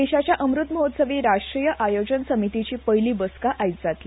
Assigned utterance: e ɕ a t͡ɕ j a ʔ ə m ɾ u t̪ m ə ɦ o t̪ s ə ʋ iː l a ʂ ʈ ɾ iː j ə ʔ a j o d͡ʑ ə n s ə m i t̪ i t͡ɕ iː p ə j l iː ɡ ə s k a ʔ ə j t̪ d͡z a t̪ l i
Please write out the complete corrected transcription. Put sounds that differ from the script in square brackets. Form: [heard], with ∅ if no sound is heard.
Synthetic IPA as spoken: e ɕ a t͡ɕ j a ʔ ə m ɾ u t̪ m ə ɦ o t̪ s ə ʋ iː [ɾ] a ʂ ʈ ɾ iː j ə ʔ a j o d͡ʑ ə n s ə m i t̪ i t͡ɕ iː p ə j l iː [b] ə s k a ʔ [a] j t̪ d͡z a t̪ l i